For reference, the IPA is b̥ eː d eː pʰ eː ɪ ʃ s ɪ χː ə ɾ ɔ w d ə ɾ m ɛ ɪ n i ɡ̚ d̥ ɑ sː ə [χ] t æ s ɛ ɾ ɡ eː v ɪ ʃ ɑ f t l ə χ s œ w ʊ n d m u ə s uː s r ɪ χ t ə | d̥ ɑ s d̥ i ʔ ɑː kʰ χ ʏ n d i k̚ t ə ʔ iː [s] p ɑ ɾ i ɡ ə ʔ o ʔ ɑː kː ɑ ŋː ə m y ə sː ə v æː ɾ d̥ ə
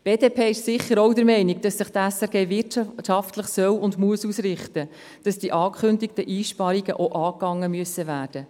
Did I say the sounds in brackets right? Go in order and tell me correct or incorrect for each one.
correct, incorrect: ʃ

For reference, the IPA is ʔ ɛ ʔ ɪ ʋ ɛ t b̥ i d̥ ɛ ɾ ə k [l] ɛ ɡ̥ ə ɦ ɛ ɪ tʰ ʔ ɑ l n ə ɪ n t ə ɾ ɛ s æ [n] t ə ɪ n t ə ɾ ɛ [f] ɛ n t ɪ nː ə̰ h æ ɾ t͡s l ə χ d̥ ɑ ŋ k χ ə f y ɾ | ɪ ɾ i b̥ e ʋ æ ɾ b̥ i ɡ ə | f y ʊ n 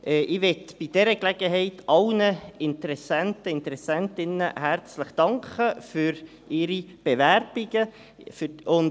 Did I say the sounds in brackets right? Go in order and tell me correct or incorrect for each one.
correct, correct, incorrect: s

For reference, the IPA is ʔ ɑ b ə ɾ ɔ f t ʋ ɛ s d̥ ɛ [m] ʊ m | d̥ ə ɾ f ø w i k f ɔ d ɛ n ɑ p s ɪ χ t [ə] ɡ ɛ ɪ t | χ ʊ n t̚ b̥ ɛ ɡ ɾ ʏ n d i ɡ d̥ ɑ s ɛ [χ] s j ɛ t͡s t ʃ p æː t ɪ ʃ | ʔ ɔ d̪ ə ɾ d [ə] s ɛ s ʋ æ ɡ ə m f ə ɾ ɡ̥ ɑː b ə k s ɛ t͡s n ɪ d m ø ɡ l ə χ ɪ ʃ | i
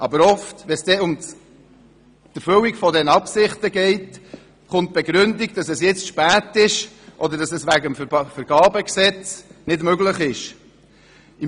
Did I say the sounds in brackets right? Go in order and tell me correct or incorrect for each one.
incorrect: none, correct, incorrect: none, incorrect: ɑ

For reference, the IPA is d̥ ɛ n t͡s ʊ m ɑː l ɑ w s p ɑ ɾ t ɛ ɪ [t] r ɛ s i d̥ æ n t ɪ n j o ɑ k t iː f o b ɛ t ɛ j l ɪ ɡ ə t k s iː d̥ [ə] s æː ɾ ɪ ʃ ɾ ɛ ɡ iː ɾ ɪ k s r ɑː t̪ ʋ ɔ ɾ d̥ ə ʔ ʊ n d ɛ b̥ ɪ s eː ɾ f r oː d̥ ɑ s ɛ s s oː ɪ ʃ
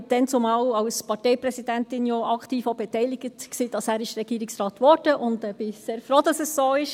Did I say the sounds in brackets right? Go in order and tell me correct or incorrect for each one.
incorrect: p, incorrect: ɑ

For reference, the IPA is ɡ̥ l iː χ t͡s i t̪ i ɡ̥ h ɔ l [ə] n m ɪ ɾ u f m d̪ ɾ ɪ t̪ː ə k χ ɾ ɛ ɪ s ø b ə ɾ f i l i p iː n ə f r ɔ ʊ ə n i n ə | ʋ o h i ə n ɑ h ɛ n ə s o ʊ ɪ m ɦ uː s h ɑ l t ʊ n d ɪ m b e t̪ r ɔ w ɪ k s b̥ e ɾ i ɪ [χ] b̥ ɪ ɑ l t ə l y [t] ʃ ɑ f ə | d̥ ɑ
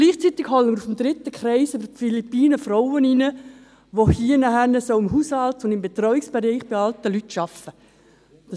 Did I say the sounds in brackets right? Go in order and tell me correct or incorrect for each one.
correct, correct, correct

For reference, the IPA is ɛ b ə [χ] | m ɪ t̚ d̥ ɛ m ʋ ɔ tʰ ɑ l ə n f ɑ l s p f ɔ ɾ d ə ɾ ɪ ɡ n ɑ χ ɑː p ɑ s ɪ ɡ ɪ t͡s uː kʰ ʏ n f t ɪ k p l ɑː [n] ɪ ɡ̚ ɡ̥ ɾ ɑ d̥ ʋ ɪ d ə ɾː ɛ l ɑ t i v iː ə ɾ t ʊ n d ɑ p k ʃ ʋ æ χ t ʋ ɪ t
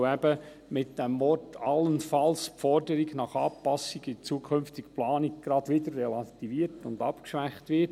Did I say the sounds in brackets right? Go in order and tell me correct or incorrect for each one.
incorrect: none, correct

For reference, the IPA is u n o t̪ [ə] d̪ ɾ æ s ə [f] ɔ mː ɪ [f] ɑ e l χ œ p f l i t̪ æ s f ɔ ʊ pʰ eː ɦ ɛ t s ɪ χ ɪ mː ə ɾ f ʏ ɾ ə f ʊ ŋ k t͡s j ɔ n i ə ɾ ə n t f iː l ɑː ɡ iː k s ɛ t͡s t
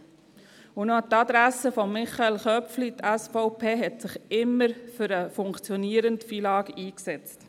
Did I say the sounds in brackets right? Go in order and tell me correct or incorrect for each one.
incorrect: ɑ, correct, incorrect: χ

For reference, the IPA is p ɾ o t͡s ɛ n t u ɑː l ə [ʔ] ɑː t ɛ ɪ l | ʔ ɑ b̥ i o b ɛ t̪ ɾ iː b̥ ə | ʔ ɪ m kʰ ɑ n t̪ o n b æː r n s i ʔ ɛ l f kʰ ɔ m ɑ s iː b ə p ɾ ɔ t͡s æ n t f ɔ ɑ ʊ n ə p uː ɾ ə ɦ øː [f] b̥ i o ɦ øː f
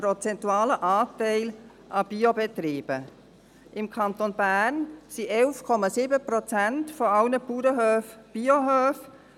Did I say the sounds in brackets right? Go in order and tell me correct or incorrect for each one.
correct, correct

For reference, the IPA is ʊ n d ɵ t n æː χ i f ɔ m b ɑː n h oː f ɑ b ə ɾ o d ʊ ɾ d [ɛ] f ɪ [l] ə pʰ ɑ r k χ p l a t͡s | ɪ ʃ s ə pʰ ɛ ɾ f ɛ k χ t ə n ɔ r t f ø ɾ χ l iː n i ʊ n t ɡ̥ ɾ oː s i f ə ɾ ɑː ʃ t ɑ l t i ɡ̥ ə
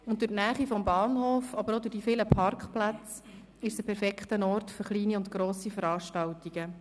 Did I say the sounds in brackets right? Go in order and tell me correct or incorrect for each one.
incorrect: i, correct

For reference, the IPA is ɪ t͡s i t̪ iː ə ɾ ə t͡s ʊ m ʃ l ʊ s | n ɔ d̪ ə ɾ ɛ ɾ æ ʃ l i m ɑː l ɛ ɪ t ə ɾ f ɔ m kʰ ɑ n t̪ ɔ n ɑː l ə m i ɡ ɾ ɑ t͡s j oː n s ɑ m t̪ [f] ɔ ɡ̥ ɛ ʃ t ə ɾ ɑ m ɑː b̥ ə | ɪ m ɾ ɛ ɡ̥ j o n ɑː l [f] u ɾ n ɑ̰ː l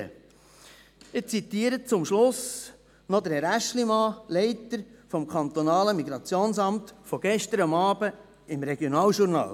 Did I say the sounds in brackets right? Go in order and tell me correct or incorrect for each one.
correct, incorrect: ʃ

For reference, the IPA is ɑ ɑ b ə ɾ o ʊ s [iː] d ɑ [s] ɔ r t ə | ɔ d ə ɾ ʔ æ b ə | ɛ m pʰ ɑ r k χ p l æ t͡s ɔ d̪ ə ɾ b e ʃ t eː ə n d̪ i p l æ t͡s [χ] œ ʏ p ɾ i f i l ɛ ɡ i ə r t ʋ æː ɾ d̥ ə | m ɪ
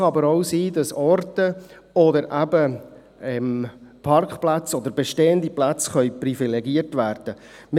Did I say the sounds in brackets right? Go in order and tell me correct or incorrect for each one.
correct, correct, correct

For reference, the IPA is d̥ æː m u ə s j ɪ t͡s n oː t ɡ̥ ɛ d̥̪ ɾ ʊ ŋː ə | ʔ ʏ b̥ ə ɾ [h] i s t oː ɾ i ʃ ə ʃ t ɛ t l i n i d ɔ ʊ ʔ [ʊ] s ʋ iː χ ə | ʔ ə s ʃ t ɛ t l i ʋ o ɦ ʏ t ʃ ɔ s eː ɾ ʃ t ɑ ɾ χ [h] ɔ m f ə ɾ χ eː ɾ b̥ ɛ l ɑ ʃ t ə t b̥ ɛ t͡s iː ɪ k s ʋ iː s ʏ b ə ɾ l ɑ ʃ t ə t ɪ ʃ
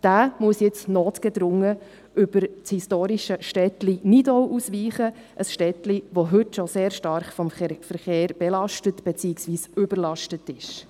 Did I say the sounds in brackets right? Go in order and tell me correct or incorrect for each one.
correct, incorrect: u, incorrect: f

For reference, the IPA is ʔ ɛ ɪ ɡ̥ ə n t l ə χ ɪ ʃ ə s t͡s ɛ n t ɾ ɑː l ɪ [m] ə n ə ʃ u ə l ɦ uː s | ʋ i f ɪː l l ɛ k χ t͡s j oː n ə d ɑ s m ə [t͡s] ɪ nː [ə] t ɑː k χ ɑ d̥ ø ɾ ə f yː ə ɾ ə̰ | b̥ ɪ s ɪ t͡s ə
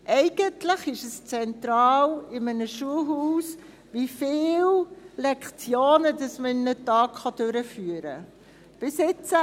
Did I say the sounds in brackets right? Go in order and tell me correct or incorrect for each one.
correct, incorrect: none, correct

